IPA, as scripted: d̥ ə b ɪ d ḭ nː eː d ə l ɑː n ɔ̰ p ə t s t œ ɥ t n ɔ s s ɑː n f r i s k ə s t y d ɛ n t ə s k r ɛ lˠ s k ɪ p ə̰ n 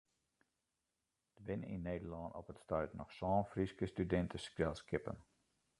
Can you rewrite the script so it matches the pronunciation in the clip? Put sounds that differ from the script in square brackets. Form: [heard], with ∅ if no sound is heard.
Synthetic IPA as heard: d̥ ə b ɪ [n] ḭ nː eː d ə l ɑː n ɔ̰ p ə t s t œ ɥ t n ɔ [χ] s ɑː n f r i s k ə s t y d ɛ n t ə s k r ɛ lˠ s k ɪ p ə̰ n